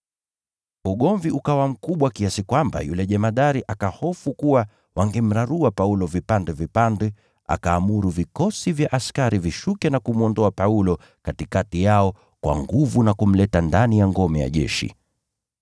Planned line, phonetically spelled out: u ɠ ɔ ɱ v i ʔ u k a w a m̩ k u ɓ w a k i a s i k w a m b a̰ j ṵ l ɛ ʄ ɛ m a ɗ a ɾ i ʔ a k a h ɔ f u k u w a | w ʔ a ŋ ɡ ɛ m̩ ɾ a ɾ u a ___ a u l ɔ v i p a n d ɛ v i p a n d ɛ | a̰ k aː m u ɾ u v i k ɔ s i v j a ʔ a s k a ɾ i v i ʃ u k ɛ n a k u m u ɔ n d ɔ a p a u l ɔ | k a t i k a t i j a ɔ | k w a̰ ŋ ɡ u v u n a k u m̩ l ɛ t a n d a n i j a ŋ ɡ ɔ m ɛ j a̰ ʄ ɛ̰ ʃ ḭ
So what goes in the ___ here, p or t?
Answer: p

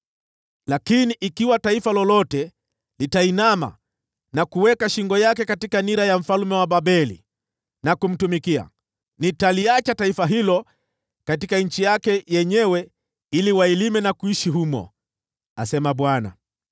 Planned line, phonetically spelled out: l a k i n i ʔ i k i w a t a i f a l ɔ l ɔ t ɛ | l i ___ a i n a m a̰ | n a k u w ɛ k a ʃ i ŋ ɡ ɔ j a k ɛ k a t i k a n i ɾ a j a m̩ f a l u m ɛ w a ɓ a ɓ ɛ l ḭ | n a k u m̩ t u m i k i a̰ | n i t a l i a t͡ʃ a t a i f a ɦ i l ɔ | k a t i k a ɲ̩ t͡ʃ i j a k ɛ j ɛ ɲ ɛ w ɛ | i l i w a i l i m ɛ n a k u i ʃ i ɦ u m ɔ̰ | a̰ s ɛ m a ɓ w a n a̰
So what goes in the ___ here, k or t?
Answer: t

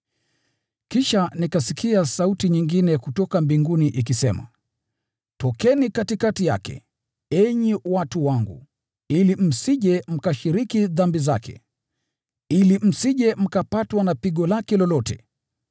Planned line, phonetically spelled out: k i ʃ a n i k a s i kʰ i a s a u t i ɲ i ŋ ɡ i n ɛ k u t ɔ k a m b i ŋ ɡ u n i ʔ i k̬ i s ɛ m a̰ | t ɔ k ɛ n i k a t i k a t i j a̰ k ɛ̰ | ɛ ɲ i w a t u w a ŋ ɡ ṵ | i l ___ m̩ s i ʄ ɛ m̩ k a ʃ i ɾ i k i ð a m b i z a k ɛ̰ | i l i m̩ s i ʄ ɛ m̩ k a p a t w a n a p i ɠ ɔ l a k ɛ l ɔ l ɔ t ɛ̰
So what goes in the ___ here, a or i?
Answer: i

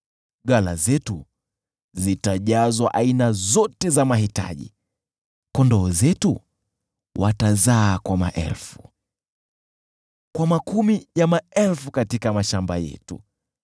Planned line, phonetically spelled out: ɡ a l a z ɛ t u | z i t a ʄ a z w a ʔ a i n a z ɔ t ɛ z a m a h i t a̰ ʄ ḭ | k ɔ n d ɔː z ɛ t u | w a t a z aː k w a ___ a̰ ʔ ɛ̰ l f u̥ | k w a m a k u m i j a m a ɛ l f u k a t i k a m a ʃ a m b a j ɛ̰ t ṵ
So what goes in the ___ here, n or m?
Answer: m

